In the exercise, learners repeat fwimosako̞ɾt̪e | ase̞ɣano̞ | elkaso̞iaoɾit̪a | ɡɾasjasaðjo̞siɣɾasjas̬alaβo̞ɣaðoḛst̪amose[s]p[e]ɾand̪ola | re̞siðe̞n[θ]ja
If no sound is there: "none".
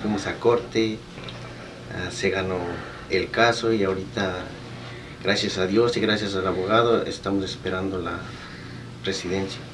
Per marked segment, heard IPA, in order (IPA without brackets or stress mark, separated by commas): s, e, s